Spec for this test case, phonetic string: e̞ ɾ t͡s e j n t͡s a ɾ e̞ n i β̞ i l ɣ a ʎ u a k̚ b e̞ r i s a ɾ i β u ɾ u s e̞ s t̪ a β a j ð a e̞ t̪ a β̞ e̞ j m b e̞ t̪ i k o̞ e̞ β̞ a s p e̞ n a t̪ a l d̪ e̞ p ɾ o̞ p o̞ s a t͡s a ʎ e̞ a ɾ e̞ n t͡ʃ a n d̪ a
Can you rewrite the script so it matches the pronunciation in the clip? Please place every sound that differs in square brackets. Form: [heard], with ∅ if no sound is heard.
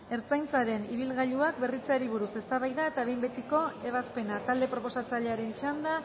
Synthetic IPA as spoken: e̞ ɾ t͡s [a] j n t͡s a ɾ e̞ n i β̞ i l ɣ a ʎ u a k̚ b e̞ r i [t͡s] a ɾ i β u ɾ u s e̞ s t̪ a β a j ð a e̞ t̪ a β̞ e̞ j m b e̞ t̪ i k o̞ e̞ β̞ a s p e̞ n a t̪ a l d̪ e̞ p ɾ o̞ p o̞ s a t͡s a ʎ e̞ a ɾ e̞ n t͡ʃ a n d̪ a